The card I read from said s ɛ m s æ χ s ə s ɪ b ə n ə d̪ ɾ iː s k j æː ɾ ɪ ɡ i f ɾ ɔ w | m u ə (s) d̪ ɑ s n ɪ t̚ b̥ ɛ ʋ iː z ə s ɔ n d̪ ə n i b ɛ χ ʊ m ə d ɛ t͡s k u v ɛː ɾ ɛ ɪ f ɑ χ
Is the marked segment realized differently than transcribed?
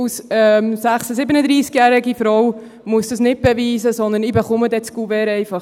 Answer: no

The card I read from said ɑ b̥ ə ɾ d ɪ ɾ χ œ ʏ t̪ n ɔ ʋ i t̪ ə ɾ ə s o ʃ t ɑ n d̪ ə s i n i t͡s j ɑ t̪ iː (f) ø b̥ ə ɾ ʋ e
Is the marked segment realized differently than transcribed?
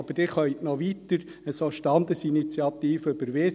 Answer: no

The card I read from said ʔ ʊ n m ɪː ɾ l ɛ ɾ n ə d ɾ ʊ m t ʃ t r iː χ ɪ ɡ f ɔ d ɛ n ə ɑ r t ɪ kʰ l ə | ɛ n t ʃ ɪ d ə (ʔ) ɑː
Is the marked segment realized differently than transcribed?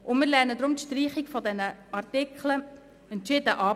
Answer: no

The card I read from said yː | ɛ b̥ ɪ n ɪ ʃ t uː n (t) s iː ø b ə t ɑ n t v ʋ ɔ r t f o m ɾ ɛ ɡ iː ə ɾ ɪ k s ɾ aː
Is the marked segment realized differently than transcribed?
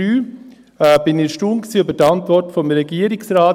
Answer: yes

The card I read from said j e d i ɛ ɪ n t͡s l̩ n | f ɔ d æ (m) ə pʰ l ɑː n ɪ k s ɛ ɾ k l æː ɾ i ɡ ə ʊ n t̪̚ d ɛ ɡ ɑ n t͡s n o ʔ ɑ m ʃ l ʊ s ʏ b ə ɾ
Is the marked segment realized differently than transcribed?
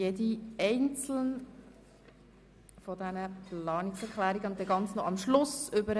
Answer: yes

